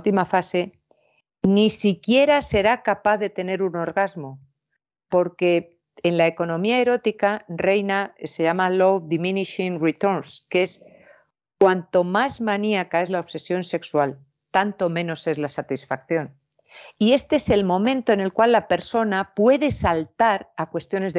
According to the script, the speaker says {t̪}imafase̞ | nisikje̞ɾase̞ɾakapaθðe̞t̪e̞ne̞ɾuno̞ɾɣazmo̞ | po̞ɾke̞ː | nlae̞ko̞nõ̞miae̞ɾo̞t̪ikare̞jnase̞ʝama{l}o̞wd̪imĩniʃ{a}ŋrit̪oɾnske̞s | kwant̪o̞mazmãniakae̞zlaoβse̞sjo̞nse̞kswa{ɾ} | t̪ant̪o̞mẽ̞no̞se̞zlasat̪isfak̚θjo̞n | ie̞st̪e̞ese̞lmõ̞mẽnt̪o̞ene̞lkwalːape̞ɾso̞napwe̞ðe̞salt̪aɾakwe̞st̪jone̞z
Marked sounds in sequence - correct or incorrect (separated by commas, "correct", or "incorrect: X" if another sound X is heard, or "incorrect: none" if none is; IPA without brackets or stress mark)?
correct, correct, incorrect: i, incorrect: l